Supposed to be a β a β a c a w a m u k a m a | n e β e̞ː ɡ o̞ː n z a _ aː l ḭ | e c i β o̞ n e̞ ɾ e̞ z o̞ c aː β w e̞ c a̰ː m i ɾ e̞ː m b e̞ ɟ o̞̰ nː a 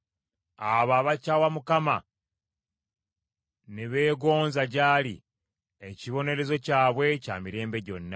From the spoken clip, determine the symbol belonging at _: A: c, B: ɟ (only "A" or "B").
B